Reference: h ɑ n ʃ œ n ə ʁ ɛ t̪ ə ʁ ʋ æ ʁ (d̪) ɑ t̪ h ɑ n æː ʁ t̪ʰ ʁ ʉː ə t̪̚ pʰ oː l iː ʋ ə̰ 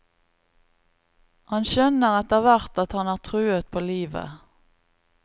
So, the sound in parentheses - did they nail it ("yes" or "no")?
no